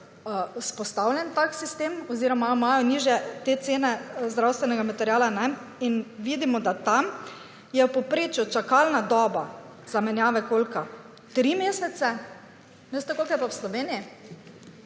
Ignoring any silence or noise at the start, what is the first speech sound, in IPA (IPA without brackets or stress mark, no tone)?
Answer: s